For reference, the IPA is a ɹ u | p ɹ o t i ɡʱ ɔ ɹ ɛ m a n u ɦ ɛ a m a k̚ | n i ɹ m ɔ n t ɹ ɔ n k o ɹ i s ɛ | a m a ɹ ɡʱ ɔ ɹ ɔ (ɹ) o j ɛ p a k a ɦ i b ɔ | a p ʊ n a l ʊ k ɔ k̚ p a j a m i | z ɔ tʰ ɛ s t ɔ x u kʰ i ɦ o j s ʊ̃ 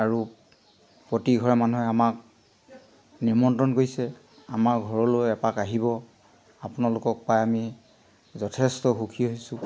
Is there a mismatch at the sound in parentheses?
yes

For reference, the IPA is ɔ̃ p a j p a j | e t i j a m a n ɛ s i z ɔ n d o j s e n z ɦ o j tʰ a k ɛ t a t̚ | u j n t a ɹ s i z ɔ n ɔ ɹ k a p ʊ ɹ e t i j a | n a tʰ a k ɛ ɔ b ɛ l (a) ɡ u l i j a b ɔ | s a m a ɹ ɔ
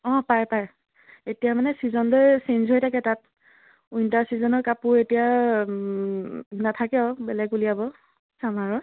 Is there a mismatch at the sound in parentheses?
yes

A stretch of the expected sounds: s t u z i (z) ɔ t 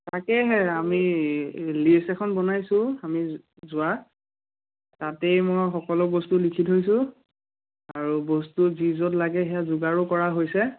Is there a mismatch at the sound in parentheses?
no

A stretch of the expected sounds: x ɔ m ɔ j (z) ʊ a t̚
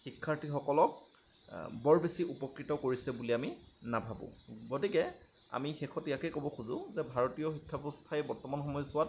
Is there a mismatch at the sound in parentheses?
yes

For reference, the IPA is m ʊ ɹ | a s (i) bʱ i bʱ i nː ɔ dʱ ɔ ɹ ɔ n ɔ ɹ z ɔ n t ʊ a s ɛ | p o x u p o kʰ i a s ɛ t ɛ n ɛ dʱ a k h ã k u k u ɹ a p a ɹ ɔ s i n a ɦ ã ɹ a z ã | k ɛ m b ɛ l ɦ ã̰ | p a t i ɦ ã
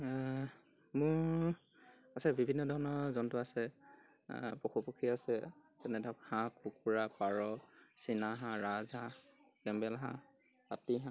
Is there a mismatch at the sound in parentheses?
yes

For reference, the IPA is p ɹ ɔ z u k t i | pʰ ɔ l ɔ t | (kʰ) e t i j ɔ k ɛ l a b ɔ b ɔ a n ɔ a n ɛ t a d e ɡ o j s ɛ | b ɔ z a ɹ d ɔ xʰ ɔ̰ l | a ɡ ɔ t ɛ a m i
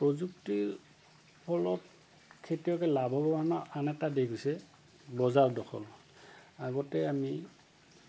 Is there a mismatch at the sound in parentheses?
no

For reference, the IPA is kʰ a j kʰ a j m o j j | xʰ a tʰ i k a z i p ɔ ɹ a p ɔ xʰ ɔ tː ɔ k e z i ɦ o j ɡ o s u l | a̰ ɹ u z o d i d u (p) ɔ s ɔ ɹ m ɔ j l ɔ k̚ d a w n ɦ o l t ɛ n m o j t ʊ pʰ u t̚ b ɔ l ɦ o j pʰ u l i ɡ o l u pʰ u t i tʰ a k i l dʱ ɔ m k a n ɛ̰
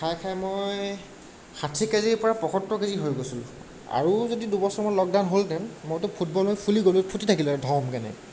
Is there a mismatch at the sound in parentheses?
yes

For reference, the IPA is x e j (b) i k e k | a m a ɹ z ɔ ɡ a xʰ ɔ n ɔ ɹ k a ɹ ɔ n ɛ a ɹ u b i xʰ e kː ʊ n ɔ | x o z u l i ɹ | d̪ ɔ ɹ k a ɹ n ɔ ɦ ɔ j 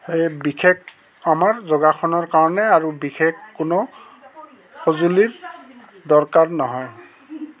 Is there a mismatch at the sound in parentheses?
no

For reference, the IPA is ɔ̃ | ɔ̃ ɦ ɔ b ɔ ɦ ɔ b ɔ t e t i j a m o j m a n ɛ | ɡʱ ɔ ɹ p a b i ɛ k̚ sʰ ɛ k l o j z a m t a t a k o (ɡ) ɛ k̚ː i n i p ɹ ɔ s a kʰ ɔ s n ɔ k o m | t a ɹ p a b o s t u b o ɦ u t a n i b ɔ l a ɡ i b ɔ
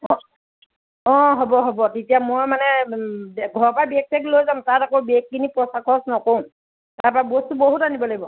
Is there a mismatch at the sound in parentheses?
yes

